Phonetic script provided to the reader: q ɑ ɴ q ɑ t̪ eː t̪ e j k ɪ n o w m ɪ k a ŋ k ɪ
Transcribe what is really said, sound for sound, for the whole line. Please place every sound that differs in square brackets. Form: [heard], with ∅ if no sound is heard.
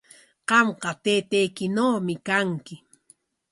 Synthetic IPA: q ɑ [m] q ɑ t̪ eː t̪ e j k ɪ n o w m ɪ k a ŋ k ɪ